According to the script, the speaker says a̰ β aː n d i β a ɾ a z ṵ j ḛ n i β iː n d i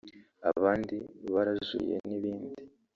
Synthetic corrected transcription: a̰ β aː n d i β a ɾ a z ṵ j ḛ n i β iː n d i